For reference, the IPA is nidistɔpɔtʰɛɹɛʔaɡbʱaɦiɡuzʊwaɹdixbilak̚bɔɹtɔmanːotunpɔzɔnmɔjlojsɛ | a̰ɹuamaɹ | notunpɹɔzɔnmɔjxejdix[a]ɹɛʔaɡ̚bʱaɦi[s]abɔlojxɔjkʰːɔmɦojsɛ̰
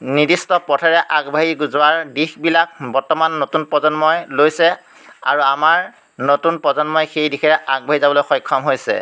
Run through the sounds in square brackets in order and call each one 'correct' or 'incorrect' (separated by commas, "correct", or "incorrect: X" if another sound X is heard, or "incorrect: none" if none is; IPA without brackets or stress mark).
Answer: incorrect: ɛ, incorrect: z